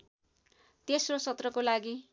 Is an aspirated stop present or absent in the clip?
absent